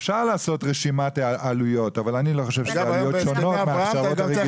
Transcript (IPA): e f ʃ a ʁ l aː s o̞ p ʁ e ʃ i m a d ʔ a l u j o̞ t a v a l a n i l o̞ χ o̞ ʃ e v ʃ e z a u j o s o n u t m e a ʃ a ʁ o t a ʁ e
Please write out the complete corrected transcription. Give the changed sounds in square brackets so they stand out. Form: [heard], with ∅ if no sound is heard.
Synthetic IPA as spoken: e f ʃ a ʁ l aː s o̞ [t] ʁ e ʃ i m a [t] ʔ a l u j o̞ t a v a l a n i l o̞ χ o̞ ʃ e v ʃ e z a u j o [ʃ] o n [o] t m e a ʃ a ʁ o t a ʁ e